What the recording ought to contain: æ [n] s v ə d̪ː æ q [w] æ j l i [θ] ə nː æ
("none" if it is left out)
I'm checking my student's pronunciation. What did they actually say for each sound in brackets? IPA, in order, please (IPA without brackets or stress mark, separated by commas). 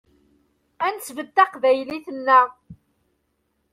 n, v, θ